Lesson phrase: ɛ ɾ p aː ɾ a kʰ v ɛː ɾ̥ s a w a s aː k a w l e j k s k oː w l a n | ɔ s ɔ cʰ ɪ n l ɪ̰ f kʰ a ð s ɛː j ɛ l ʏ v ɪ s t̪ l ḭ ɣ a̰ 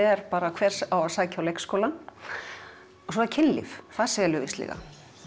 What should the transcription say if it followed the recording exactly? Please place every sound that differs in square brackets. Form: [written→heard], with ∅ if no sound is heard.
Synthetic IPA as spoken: ɛ ɾ p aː ɾ a kʰ v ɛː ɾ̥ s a w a s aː [k→c] a w l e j k s k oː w l a n | ɔ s ɔ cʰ ɪ n l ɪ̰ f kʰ a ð s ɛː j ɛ l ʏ v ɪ s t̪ l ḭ ɣ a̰